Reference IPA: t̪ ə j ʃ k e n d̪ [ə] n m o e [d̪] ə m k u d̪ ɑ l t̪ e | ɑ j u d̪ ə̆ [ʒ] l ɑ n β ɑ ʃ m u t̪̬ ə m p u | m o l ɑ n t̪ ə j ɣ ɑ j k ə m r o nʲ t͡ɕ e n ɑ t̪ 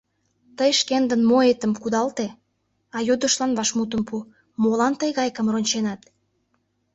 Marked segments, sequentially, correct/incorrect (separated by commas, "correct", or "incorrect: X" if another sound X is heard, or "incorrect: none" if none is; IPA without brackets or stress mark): correct, incorrect: t̪, incorrect: ʃ